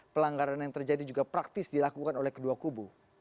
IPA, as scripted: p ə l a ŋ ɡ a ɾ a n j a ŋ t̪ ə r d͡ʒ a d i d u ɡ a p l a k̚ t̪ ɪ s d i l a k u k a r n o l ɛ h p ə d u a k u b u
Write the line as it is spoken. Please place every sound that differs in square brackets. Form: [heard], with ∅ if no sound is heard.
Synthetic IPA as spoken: p ə l a ŋ ɡ a ɾ a n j a ŋ t̪ ə r d͡ʒ a d i [d͡ʒ] u ɡ a p [ɾ] a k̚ t̪ ɪ s d i l a k u k a [∅] n o l ɛ h [k] ə d u a k u b u